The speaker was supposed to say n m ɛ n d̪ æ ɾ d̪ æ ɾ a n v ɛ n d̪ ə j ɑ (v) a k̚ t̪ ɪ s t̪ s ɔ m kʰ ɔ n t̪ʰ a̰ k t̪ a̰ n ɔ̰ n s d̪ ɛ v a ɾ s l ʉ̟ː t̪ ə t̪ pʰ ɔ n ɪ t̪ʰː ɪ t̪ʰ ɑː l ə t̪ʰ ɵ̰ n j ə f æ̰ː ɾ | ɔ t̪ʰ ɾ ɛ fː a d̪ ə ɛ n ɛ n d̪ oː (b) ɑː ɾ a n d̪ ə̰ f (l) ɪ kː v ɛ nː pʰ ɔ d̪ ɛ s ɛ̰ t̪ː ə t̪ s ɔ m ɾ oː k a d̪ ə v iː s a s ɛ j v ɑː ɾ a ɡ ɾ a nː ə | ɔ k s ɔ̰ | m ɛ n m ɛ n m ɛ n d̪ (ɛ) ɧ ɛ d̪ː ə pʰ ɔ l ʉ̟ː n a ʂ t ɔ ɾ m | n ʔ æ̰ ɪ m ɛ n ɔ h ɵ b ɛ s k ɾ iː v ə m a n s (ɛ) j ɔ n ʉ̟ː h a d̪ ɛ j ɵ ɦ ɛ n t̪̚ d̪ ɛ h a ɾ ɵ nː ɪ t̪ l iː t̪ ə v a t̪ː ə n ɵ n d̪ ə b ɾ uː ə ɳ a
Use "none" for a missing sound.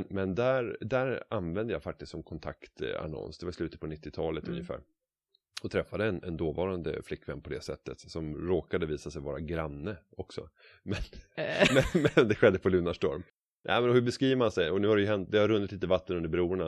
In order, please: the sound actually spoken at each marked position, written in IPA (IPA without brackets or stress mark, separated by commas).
f, v, l, ɛ, ɛ